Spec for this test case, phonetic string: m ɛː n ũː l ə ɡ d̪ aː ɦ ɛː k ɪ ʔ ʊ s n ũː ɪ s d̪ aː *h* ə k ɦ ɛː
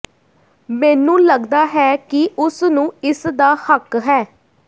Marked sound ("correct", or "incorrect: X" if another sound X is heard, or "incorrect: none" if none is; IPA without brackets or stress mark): correct